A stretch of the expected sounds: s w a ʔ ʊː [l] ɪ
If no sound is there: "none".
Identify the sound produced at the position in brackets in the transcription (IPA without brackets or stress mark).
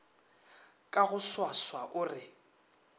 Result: r